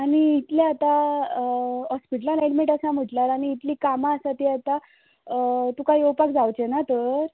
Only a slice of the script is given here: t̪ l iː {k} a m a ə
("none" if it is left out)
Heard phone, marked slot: k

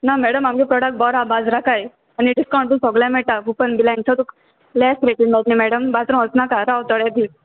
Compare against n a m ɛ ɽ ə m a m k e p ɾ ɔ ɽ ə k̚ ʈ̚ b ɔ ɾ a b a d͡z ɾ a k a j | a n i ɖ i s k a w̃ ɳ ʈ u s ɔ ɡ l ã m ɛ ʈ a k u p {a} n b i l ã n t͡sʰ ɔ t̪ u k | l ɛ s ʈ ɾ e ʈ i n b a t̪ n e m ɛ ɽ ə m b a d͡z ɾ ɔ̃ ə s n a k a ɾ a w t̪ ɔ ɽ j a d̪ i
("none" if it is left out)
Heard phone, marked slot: ə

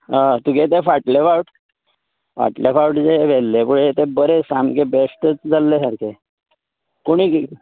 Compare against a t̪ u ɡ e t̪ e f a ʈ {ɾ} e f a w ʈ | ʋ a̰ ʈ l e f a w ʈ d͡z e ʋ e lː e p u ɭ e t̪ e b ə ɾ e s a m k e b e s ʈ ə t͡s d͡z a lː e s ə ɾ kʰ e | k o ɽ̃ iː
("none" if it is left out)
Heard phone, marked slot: l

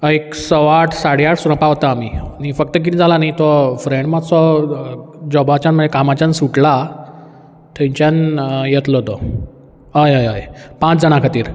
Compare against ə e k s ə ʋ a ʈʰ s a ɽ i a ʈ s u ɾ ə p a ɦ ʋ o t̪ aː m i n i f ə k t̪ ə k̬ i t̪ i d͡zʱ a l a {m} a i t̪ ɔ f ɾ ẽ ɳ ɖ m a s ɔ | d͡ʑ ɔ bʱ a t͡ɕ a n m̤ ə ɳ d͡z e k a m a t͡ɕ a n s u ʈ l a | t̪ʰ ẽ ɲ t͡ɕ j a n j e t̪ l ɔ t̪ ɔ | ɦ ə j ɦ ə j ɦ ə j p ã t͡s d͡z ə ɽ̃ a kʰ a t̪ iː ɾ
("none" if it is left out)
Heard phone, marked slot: n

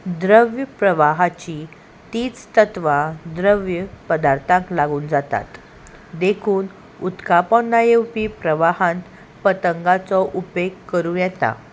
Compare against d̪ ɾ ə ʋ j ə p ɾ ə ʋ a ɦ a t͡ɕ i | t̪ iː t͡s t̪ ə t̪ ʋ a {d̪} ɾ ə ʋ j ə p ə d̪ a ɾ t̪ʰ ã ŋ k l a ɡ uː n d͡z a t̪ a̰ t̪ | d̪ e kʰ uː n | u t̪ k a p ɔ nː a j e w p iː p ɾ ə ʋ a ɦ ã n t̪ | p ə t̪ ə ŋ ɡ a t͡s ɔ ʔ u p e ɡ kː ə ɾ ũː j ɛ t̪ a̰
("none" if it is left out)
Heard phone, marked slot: d̪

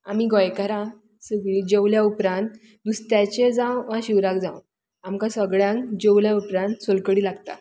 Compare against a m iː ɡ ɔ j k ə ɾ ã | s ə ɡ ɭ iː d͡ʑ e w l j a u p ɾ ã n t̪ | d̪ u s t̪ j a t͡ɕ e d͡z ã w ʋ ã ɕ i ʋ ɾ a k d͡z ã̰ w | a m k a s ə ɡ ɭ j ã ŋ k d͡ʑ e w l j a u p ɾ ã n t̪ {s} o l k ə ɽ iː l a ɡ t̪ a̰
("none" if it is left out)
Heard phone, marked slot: s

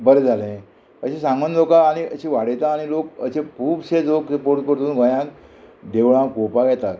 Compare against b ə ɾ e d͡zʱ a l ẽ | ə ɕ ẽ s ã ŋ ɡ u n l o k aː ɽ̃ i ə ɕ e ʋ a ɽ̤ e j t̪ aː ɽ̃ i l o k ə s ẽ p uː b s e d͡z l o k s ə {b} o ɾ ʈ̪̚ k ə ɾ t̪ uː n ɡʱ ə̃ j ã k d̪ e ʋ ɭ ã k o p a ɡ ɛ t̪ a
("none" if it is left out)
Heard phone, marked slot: p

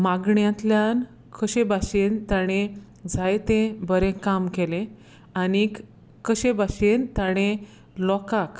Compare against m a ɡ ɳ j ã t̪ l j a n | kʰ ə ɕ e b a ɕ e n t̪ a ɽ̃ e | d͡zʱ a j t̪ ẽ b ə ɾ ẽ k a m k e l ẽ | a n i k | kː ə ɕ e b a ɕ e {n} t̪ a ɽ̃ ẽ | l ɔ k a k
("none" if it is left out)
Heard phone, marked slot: n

